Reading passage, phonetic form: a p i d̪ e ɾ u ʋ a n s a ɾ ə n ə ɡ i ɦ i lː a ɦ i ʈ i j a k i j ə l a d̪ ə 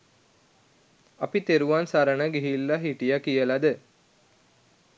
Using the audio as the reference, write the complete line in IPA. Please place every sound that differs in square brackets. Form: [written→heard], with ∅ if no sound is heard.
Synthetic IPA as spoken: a p i [d̪→t̪] e ɾ u ʋ a n s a ɾ ə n ə ɡ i ɦ i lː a ɦ i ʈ i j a k i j ə l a d̪ ə